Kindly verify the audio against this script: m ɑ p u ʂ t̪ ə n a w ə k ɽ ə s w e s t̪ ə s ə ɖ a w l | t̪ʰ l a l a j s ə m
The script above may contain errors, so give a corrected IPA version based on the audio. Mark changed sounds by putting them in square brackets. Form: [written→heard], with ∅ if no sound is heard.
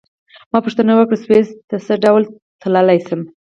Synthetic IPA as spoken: m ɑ p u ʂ t̪ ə n a w ə k ɽ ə s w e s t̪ ə s ə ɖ a w l | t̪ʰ l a l a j s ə m